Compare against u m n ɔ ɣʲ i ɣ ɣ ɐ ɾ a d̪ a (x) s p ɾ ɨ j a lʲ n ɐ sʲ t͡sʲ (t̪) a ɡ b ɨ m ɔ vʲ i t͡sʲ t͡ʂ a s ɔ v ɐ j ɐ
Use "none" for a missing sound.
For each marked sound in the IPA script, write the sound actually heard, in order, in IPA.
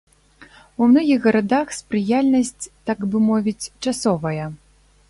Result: x, t̪

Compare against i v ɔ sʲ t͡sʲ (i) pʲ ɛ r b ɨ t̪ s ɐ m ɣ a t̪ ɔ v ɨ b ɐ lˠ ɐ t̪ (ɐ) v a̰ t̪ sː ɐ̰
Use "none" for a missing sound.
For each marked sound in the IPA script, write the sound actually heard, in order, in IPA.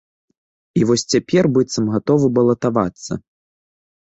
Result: a, a

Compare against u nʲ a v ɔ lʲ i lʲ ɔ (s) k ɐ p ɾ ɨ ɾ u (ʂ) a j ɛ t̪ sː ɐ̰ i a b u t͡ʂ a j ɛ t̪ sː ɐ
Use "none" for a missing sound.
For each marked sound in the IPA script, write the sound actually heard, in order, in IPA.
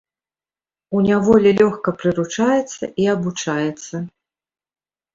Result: x, t͡ʂ

